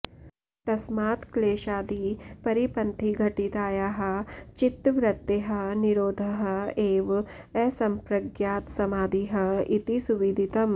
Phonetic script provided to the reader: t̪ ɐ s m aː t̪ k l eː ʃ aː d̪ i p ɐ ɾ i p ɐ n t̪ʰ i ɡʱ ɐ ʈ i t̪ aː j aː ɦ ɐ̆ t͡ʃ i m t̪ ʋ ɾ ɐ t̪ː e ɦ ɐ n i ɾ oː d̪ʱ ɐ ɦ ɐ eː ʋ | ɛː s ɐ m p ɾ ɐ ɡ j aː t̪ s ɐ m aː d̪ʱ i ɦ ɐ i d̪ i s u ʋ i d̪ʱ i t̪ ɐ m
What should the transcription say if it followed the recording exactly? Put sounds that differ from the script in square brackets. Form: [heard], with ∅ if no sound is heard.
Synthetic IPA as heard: t̪ ɐ s m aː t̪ k l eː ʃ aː d̪ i p ɐ ɾ i p ɐ n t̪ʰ i ɡʱ ɐ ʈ i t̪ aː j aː ɦ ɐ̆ t͡ʃ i [∅] t̪ ʋ ɾ ɐ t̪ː e ɦ ɐ n i ɾ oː d̪ʱ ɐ ɦ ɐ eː ʋ | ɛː s ɐ m p ɾ ɐ ɡ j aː t̪ s ɐ m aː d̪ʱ i ɦ ɐ i [t̪] i s u ʋ i d̪ʱ i t̪ ɐ m